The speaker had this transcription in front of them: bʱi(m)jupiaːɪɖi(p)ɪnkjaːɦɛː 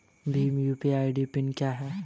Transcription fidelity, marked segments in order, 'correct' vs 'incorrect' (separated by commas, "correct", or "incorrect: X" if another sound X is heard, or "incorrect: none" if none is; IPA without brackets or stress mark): correct, correct